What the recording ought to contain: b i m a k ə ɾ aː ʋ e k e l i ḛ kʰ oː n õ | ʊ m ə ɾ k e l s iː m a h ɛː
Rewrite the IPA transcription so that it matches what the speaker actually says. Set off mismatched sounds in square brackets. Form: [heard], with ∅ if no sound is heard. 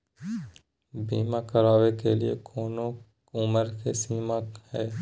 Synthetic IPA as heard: b [iː] m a k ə ɾ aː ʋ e k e l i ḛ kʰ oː n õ | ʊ m ə ɾ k e [∅] s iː m a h ɛː